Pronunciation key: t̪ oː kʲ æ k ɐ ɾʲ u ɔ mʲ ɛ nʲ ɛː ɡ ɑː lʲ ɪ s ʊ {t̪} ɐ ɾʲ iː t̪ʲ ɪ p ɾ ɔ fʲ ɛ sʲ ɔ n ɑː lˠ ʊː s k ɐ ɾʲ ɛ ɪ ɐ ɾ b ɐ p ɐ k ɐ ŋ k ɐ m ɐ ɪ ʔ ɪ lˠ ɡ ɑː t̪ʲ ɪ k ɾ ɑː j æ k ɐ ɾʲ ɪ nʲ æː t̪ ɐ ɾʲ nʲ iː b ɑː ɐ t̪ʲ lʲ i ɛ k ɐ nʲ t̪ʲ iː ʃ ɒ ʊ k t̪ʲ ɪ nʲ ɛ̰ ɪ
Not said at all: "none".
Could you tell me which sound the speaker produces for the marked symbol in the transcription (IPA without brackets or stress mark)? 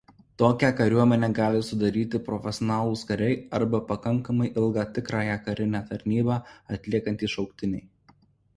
d̪